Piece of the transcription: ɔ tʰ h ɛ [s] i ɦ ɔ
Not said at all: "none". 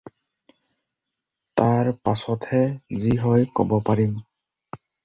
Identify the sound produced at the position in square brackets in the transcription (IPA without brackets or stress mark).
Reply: z